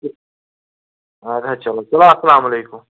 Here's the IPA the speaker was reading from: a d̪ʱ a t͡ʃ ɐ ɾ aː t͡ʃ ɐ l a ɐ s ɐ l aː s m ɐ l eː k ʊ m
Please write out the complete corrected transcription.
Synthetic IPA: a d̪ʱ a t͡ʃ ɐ l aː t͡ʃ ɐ l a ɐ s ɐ l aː m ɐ l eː k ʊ m

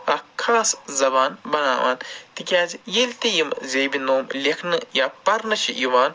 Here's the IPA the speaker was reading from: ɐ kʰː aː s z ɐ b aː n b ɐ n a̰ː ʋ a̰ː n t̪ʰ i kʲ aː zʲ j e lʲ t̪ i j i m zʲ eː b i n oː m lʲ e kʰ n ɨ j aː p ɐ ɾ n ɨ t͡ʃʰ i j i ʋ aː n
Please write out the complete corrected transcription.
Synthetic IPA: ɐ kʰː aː s z ɐ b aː n b ɐ n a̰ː ʋ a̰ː n t̪ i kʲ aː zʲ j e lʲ t̪ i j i m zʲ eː b i n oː m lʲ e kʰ n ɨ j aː p ɐ ɾ n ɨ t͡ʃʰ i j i ʋ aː n

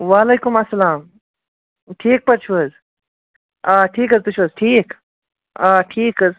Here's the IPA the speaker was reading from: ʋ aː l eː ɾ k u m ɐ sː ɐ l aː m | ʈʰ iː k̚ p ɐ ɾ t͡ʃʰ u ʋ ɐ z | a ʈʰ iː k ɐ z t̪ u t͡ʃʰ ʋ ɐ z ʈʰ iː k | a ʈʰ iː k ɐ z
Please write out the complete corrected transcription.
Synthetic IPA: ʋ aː l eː k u m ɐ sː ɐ l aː m | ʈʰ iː k̚ p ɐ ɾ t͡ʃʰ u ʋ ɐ z | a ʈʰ iː k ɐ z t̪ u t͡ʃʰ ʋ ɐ z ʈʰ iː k | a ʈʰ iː k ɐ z

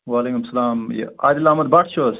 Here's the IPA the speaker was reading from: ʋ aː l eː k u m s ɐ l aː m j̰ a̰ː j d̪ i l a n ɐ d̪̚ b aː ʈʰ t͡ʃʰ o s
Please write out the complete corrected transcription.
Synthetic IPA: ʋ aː l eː k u m s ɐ l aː m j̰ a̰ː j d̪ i l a m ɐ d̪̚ b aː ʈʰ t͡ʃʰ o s

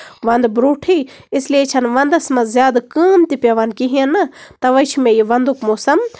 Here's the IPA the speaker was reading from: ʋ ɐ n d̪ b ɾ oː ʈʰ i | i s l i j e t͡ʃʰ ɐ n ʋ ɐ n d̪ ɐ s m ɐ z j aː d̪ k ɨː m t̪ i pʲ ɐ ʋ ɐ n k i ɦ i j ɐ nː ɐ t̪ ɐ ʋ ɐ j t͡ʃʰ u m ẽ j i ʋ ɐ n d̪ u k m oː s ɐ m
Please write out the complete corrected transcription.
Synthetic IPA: ʋ ɐ n d̪ b ɾ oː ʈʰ i | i s l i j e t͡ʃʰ ɐ n ʋ ɐ n d̪ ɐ s m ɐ z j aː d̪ k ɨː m t̪ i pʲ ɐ ʋ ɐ n k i ɦ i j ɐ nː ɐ t̪ ɐ ʋ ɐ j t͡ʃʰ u m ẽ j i ʋ ɐ n d̪ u k m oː s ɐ m

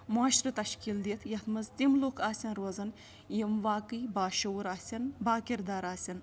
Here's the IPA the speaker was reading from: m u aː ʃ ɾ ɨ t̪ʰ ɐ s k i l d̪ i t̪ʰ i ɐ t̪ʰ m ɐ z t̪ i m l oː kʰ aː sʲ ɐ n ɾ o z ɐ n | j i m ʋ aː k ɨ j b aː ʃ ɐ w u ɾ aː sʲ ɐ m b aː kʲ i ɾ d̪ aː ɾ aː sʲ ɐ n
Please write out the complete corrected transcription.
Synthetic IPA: m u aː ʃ ɾ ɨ t̪ ɐ ʃ k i l d̪ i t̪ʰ j ɐ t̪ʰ m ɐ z t̪ i m l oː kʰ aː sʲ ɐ n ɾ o z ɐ n | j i m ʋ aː k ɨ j b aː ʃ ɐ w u ɾ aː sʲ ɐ n b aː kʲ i ɾ d̪ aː ɾ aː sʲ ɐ n

